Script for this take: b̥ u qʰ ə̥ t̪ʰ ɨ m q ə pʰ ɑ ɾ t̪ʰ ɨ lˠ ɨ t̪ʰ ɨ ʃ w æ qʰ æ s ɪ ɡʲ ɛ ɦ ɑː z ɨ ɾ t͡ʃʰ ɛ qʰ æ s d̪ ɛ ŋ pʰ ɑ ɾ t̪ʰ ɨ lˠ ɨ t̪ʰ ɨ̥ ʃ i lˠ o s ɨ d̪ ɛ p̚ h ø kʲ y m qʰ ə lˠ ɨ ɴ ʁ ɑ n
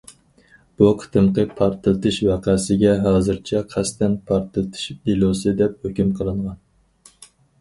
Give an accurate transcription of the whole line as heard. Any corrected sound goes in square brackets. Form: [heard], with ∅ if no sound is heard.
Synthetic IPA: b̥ u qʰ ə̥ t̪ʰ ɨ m q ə pʰ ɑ ɾ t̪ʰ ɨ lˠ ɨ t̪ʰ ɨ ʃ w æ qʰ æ s ɪ ɡʲ ɛ ɦ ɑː z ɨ ɾ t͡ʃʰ ɛ qʰ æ s [t̪] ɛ [n] pʰ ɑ ɾ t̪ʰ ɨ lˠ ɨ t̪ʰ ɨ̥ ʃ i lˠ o s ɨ d̪ ɛ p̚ h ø kʲ y m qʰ ə lˠ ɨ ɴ ʁ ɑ n